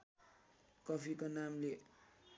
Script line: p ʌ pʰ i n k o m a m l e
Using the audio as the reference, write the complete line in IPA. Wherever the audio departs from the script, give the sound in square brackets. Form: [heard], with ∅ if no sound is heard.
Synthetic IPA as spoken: [k] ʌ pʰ i [∅] k o [n] a m l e